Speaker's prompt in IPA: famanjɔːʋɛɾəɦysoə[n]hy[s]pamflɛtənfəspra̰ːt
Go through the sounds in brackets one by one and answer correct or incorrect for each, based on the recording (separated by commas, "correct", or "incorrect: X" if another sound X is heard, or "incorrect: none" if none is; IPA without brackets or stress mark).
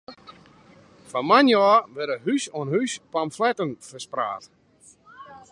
correct, correct